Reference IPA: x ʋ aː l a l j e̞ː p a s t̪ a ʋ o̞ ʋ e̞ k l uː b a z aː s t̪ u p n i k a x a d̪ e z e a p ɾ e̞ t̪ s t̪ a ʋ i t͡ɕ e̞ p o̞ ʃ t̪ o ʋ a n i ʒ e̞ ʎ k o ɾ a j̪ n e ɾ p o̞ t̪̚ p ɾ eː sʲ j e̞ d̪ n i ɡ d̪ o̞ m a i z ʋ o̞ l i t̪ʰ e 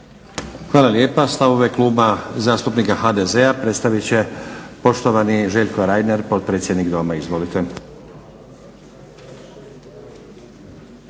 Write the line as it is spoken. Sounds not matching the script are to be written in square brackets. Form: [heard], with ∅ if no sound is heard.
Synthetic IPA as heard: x ʋ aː l a l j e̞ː p a s t̪ a ʋ o̞ ʋ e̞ k l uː b a z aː s t̪ u p n i k a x a d̪ e z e a p ɾ e̞ t̪ s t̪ a ʋ i t͡ɕ e̞ p o̞ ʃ t̪ o ʋ a n i ʒ e̞ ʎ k o ɾ a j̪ n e ɾ p o̞ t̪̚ p ɾ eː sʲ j e̞ d̪ n i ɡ d̪ o̞ m a i z ʋ o̞ l i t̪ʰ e